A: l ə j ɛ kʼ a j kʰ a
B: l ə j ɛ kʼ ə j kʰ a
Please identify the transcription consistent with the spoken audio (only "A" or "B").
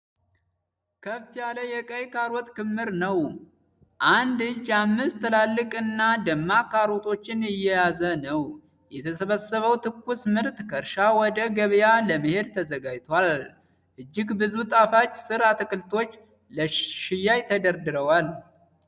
B